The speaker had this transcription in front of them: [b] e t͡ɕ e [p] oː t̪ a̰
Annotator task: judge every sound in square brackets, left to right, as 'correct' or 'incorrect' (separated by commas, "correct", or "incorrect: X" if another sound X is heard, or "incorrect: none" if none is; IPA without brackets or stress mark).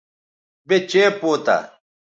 correct, correct